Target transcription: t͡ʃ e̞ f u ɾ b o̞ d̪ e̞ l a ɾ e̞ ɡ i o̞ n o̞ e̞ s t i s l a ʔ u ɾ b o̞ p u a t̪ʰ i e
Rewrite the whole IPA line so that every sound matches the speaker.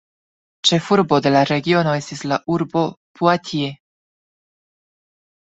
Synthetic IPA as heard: t͡ʃ e̞ f u ɾ b o̞ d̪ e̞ l a ɾ e̞ ɡ i o̞ n o̞ e̞ s t i s l a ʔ u ɾ b o̞ p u a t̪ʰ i e